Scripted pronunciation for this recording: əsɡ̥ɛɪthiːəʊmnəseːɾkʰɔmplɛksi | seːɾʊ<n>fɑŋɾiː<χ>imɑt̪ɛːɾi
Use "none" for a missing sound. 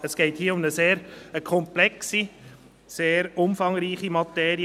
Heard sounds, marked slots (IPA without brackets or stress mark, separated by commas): m, χ